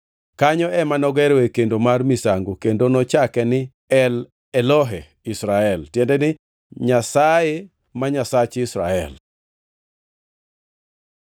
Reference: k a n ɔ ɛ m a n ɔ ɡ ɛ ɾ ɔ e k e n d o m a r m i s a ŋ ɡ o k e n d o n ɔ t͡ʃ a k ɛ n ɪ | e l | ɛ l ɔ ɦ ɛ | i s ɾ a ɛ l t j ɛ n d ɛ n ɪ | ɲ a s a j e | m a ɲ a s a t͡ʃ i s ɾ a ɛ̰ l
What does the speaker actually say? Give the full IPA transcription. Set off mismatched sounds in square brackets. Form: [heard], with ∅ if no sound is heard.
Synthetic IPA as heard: k a [ɲ] ɔ ɛ m a n ɔ ɡ ɛ ɾ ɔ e k e n d o m a r m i s a ŋ ɡ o k e n d o n ɔ t͡ʃ a k ɛ n ɪ | [ɛ] l | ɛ l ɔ ɦ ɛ | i s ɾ a ɛ l t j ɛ n d ɛ n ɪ | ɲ a s a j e | m a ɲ a s a t͡ʃ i s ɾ a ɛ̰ l